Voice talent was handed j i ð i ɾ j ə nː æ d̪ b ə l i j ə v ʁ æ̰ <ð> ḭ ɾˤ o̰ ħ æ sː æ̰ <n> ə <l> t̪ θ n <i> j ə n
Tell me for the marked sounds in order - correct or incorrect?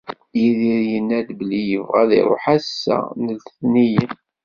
correct, correct, correct, correct

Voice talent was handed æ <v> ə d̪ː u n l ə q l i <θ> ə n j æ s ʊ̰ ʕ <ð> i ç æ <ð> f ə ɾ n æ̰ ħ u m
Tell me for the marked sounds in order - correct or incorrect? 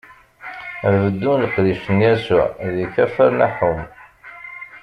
correct, incorrect: ʃ, correct, incorrect: none

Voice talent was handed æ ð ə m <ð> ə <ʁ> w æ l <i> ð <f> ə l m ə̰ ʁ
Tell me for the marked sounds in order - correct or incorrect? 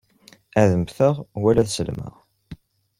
incorrect: θ, correct, incorrect: æ, incorrect: s

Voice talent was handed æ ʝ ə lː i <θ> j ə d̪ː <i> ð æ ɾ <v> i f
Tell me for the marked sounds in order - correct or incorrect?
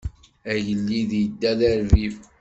incorrect: ð, incorrect: æ, correct

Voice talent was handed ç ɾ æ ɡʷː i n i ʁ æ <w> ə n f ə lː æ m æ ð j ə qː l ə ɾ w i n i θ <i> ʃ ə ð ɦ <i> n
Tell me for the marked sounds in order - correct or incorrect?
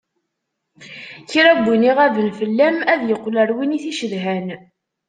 incorrect: v, correct, incorrect: æ

